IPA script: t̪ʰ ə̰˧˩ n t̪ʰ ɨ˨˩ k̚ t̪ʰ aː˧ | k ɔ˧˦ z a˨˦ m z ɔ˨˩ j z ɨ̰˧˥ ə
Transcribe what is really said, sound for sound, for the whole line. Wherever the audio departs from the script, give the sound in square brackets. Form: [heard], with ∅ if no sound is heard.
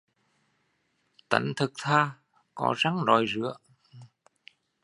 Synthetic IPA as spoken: [t̪] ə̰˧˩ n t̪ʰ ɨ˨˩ k̚ t̪ʰ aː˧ | k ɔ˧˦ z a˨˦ [ŋ] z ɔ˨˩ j z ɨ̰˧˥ ə